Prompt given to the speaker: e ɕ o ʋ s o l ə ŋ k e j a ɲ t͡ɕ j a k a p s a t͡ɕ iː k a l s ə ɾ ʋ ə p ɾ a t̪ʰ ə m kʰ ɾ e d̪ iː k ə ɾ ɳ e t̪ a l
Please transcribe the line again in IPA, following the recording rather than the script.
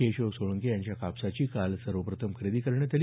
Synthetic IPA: e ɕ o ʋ s o ɭ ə ŋ k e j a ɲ t͡ɕ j a k a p s a t͡ɕ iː k a l s ə ɾ ʋ ə p ɾ ə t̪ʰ ə m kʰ ɾ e d̪ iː k ə ɾ ɳ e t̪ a l